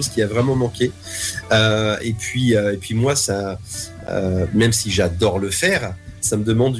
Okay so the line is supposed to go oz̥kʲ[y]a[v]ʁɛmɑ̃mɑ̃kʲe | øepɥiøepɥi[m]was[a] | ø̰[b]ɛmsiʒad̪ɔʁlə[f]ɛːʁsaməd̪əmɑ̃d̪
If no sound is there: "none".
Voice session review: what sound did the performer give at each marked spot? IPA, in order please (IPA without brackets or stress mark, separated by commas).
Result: i, v, m, a, m, f